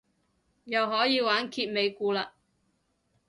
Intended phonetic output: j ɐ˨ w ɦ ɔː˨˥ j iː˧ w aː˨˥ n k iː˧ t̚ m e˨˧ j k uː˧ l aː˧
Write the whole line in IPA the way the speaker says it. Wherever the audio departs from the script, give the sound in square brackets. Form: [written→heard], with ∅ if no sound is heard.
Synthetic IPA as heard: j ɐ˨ w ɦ ɔː˨˥ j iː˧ w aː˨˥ n [k→kʰ] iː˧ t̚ m e˨˧ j k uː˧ l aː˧